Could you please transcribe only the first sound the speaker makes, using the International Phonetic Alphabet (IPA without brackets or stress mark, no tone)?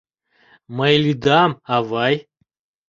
m